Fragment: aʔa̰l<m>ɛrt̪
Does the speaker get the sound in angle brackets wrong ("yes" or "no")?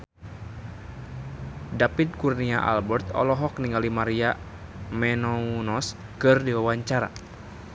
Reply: yes